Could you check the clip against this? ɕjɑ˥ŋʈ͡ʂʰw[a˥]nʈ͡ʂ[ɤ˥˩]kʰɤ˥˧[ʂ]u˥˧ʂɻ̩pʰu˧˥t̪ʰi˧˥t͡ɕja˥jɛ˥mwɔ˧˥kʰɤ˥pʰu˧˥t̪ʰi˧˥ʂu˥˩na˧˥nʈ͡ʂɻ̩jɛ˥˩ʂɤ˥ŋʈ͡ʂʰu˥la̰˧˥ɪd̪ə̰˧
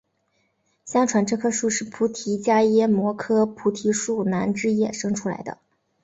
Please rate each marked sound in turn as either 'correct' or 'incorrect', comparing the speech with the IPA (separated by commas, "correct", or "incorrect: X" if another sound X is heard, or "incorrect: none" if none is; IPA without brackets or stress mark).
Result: incorrect: a˧˥, correct, correct